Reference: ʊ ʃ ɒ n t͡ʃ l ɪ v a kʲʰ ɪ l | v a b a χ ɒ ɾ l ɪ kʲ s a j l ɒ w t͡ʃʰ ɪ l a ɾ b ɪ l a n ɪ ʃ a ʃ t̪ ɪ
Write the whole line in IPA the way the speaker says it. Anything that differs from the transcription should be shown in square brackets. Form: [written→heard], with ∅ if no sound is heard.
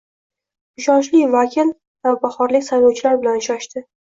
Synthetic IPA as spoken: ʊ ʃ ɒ n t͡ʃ l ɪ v a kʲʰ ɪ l | v a b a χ ɒ ɾ l ɪ kʲ s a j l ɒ w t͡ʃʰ ɪ l a ɾ b ɪ l a n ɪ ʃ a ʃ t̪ ɪ